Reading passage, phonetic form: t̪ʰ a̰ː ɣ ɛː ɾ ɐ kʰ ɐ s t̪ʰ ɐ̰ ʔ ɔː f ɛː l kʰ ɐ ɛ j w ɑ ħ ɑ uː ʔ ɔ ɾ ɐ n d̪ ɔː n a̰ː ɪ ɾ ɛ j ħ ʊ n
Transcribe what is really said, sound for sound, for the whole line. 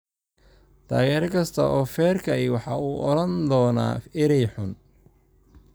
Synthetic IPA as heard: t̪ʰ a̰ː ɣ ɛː ɾ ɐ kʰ ɐ s t̪ʰ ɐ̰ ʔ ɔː f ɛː r kʰ ɐ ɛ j w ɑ ħ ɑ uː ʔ ɔ ɾ ɐ n d̪ ɔː n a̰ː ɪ ɾ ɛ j ħ ʊ n